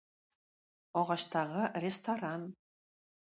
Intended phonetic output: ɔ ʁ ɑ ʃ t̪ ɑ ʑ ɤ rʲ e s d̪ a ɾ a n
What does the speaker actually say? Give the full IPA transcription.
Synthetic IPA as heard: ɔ ʁ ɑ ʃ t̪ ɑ ʁ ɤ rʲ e s t̪ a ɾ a n